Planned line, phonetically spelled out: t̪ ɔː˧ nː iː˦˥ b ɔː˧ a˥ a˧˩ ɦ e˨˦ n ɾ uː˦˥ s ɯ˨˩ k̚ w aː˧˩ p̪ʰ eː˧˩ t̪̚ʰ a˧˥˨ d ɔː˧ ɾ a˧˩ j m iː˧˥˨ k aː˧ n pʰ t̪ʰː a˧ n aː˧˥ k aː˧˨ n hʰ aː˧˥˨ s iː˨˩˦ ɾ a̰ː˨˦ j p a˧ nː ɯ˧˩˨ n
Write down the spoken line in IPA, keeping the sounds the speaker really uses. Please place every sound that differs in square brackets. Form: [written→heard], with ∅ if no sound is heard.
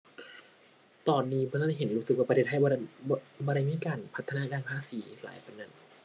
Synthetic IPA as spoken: t̪ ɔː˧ nː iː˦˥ b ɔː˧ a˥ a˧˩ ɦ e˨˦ n ɾ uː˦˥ s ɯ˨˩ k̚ w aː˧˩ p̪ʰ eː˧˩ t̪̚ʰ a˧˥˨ [d→b] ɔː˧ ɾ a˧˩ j m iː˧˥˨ k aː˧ n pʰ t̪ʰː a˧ n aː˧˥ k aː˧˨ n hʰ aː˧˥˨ s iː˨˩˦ [ɾ→l] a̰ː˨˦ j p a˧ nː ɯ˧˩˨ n